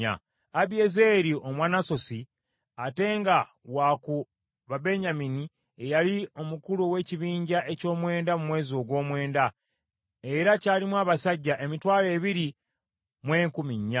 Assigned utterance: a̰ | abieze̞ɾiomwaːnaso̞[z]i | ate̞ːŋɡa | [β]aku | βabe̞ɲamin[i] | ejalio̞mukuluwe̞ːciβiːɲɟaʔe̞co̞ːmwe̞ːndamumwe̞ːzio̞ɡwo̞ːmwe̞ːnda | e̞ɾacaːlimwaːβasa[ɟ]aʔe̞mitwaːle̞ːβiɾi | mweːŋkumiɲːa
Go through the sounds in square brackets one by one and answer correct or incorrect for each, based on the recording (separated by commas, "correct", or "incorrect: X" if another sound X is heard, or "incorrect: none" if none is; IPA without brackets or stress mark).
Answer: incorrect: s, incorrect: w, correct, incorrect: ɟː